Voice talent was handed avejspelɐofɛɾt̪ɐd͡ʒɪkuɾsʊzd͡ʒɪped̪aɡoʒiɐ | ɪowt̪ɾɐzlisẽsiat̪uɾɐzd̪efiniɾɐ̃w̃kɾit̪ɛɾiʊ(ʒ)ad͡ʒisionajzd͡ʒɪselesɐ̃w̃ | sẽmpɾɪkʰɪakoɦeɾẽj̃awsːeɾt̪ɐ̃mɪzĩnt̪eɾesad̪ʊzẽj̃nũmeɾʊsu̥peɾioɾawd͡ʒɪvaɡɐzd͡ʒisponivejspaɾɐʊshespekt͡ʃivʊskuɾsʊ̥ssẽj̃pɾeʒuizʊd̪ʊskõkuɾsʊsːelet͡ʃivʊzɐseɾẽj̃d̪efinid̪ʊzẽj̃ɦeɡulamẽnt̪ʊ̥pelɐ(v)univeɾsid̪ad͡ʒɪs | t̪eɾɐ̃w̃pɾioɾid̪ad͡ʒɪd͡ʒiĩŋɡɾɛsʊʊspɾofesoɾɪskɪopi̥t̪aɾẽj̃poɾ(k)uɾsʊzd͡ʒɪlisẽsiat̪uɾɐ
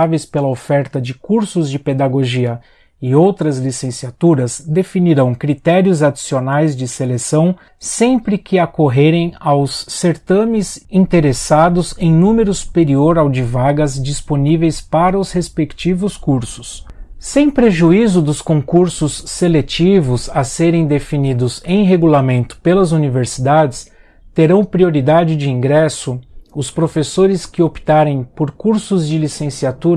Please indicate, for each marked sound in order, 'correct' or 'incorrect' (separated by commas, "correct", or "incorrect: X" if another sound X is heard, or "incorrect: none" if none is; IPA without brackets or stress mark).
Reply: incorrect: z, incorrect: z, correct